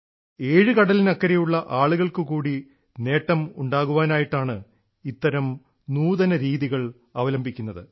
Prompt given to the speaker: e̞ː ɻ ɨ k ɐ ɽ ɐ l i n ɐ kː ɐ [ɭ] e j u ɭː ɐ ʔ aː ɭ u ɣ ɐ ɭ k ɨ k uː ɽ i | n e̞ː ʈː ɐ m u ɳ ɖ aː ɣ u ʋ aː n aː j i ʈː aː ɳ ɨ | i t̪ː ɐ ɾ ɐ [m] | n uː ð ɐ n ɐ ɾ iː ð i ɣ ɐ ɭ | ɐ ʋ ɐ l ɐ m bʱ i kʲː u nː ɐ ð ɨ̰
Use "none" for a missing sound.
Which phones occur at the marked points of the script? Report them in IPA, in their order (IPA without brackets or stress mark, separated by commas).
ɾ, m